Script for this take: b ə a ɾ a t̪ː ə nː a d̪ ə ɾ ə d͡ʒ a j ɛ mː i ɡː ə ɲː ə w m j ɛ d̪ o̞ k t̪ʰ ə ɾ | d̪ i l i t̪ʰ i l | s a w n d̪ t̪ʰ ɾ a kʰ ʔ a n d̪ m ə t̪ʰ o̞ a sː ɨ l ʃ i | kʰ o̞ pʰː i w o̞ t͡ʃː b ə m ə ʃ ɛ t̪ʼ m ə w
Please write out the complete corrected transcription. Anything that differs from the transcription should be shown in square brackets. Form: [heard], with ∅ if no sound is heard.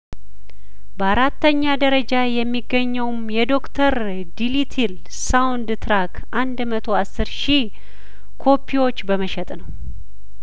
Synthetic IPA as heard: b ə a ɾ a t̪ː ə [ɲː] a d̪ ə ɾ ə d͡ʒ a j ɛ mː i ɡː ə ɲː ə w m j ɛ d̪ o̞ k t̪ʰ ə ɾ | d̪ i l i t̪ʰ i l | s a w n d̪ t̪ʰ ɾ a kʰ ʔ a n d̪ m ə t̪ʰ o̞ a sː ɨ [ɾ] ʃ i | kʰ o̞ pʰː i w o̞ t͡ʃː b ə m ə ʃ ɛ t̪ʼ [n] ə w